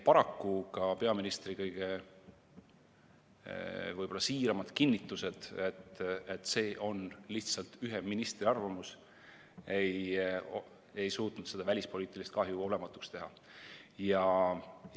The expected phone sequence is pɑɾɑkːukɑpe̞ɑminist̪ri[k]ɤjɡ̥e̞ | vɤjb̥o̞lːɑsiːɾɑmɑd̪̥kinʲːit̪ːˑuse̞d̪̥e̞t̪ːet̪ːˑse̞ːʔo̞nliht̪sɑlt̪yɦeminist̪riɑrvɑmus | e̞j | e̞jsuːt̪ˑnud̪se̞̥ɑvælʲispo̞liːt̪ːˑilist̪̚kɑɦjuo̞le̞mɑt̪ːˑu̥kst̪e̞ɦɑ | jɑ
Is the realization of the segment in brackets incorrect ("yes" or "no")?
no